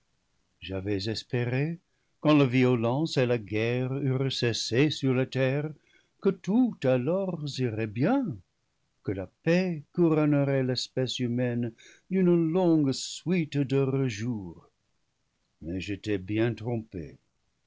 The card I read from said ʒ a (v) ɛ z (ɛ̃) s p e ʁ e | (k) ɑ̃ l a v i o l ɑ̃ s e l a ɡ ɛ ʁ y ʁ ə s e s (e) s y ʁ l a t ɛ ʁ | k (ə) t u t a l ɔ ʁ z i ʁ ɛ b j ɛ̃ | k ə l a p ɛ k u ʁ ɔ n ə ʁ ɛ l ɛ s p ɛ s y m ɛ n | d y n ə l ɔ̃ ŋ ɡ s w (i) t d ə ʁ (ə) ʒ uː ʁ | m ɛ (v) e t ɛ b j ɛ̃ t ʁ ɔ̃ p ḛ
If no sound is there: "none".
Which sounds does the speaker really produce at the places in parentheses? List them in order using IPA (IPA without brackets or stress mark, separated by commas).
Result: v, ɛ, k, e, ə, i, ə, ʒ